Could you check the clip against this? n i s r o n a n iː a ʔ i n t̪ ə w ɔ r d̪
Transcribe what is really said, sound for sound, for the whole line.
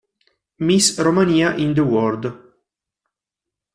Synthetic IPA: m i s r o m a n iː a ʔ i n d̪ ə w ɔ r d̪